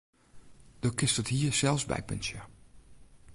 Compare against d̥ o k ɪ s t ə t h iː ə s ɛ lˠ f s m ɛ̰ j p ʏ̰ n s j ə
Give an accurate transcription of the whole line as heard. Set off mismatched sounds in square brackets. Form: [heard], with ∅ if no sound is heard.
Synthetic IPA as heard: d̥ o k ɪ s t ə t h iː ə s ɛ lˠ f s [b] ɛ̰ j p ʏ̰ n s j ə

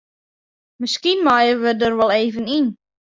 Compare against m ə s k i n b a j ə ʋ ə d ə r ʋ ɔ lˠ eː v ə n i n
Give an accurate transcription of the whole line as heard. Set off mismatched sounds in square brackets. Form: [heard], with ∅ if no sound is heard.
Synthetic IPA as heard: m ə s k i n [m] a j ə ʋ ə d ə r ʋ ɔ lˠ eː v ə n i n

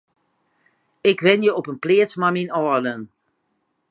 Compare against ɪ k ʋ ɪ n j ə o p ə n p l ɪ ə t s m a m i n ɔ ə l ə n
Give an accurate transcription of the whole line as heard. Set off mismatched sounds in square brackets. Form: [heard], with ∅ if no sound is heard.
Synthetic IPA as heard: ɪ k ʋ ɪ n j ə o p ə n p l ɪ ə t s m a m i n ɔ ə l ə n

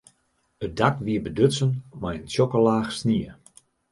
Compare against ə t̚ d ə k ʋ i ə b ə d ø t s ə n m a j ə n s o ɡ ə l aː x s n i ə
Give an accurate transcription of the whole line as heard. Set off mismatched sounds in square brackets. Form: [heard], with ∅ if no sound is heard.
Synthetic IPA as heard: ə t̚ d [a] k ʋ i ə b ə d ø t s ə n m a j ə n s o [k] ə l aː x s n i ə

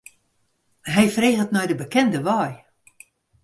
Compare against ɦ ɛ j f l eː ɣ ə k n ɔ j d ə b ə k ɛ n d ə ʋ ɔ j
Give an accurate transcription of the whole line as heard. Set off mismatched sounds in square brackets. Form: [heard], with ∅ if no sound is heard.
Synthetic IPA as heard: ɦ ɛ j f [r] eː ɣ ə [t] n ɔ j d ə b ə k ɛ n d ə ʋ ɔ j

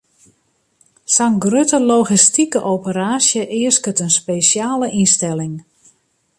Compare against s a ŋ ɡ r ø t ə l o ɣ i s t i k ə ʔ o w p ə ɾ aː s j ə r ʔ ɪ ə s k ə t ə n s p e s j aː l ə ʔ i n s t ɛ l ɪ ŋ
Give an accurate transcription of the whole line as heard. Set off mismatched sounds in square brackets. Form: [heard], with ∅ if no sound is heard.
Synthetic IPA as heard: s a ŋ ɡ r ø t ə l o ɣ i s t i k ə ʔ o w p ə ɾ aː s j ə [∅] ʔ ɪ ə s k ə t ə n s p e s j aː l ə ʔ i n s t ɛ l ɪ ŋ

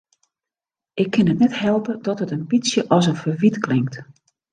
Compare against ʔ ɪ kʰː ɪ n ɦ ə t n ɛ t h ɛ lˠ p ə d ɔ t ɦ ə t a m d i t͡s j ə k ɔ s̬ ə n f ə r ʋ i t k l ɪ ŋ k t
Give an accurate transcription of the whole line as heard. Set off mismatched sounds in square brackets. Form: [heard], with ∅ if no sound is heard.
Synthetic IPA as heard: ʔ ɪ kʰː ɪ n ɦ ə t n ɛ t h ɛ lˠ p ə d ɔ t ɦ ə t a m [b] i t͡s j ə [ʔ] ɔ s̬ ə n f ə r ʋ i t k l ɪ ŋ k t

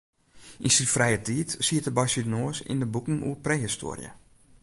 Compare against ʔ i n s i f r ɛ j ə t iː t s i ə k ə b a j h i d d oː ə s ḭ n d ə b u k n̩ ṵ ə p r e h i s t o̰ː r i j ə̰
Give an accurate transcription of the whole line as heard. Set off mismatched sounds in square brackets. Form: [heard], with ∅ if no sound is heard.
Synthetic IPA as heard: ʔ i n s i f r ɛ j ə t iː t s i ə [t] ə b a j [s] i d [n] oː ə s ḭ n d ə b u k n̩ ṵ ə p r e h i s t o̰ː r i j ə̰

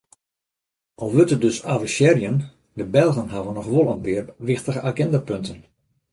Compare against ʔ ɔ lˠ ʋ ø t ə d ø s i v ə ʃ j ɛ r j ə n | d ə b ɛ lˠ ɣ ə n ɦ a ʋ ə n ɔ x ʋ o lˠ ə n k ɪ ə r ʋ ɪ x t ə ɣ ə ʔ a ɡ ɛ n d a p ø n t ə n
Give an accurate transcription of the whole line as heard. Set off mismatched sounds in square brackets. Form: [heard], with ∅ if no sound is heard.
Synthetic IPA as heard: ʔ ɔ lˠ ʋ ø t ə d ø s [a] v ə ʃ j ɛ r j ə n | d ə b ɛ lˠ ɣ ə n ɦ a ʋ ə n ɔ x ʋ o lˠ ə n [p] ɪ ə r ʋ ɪ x t ə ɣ ə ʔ a ɡ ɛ n d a p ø n t ə n

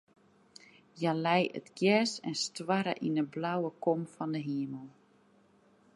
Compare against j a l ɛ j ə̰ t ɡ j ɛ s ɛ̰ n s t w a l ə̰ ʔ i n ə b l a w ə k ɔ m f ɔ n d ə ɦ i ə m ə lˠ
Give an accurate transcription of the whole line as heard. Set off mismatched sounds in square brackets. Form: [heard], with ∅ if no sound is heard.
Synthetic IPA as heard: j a l ɛ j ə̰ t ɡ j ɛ s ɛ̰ n s t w a [ɾ] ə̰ ʔ i n ə b l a w ə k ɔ m f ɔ n d ə ɦ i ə m ə lˠ

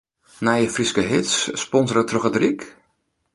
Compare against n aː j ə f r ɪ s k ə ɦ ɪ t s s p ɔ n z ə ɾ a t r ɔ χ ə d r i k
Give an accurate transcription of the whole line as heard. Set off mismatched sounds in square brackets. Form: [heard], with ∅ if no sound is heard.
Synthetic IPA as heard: n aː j ə f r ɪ s k ə ɦ ɪ t s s p ɔ n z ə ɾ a t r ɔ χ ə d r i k

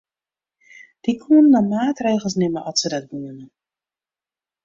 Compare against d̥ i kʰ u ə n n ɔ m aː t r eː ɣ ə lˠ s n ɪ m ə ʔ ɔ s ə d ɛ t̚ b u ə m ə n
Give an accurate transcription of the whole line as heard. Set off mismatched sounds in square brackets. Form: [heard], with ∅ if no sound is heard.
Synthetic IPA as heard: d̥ i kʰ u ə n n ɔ m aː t r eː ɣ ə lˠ s n ɪ m ə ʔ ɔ s ə d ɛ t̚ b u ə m ə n

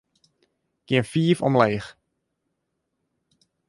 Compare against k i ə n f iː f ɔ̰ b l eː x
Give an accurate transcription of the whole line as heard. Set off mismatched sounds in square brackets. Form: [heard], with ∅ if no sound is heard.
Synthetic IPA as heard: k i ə n f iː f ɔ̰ [m] l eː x

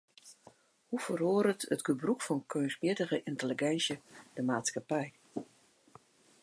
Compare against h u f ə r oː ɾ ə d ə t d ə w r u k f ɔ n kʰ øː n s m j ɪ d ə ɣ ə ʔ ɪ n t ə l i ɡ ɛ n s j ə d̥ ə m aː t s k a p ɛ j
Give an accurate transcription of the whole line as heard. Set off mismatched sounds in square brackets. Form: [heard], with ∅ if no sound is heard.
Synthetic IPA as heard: h u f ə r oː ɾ ə [t] ə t [ɡ] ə [b] r u k f ɔ n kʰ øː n s m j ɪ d ə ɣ ə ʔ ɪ n t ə l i ɡ ɛ n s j ə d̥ ə m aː t s k a p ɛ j

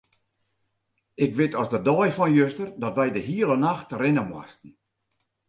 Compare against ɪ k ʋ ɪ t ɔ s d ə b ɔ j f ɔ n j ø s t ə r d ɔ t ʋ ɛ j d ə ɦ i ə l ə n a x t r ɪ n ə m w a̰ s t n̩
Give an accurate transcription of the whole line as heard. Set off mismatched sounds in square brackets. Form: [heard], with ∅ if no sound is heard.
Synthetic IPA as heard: ɪ k ʋ ɪ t ɔ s d ə [d] ɔ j f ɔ n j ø s t ə r d ɔ t ʋ ɛ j d ə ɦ i ə l ə n a x t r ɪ n ə m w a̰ s t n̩

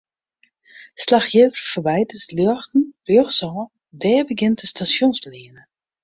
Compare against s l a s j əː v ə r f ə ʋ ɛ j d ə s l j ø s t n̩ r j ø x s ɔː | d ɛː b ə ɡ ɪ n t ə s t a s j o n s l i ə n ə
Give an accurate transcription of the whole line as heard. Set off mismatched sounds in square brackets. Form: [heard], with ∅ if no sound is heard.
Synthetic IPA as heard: s l a [x] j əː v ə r f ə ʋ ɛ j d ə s l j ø [x] t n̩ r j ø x s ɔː | d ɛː b ə ɡ ɪ n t ə s t a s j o n s l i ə n ə

